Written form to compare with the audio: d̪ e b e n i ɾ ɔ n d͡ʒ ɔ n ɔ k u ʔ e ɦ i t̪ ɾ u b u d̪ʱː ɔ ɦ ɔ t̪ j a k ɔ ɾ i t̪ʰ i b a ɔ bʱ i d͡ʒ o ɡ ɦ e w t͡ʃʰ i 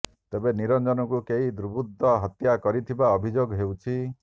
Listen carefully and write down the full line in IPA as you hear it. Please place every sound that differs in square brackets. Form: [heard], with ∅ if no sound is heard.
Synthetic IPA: [t̪] e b e n i ɾ ɔ n d͡ʒ ɔ n ɔ k u [k] e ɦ i [d̪] ɾ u b u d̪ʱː ɔ ɦ ɔ t̪ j a k ɔ ɾ i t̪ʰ i b a ɔ bʱ i d͡ʒ o ɡ ɦ e w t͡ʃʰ i

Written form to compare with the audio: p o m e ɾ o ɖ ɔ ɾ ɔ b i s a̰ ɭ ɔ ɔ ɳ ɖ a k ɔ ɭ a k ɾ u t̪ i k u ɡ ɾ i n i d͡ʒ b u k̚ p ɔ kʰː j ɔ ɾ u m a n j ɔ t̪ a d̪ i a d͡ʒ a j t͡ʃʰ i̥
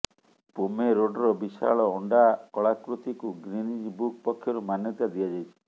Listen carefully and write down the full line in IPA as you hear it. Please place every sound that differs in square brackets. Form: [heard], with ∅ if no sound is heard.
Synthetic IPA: p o m e ɾ o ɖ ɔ ɾ ɔ b i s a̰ ɭ ɔ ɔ ɳ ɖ a k ɔ ɭ a k ɾ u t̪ i k u ɡ ɾ i n i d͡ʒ b u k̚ p ɔ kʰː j ɔ ɾ u m a n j ɔ t̪ a d̪ i a d͡ʒ a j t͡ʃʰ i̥

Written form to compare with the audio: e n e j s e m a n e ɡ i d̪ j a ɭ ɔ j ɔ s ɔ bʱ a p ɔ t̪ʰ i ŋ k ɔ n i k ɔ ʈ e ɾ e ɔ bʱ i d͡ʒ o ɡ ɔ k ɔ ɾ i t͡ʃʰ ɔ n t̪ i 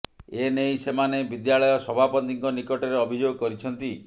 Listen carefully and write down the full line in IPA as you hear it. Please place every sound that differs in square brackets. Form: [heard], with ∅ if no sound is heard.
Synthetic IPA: e n e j s e m a n e [b] i d̪ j a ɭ ɔ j ɔ s ɔ bʱ a p ɔ [t̪] i ŋ k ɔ n i k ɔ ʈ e ɾ e ɔ bʱ i d͡ʒ o ɡ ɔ k ɔ ɾ i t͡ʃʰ ɔ n t̪ i

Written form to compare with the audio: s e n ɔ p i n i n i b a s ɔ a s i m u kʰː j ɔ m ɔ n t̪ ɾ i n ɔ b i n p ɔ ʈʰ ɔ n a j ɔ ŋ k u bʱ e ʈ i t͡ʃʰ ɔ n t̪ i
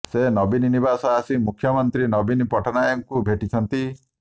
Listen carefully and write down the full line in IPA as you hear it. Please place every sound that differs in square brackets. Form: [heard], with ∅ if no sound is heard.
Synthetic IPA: s e n ɔ [b] i n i n i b a s ɔ a s i m u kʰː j ɔ m ɔ n t̪ ɾ i n ɔ b i n p ɔ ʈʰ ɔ n a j ɔ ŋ k u bʱ e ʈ i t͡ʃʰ ɔ n t̪ i

